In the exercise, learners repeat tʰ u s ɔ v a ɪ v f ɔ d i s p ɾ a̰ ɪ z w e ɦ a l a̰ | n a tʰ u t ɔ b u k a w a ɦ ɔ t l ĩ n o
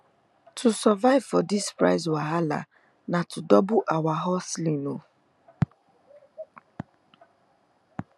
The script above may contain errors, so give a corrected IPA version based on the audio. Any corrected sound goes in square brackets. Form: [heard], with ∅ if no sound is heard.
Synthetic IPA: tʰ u s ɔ v a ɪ v f ɔ d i s p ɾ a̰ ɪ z w [a] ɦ a l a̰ | n a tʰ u [d] ɔ b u [ʔ] a w a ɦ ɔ [s] l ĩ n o